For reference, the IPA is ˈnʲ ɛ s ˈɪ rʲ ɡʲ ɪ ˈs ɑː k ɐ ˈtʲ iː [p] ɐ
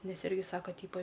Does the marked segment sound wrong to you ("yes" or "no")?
no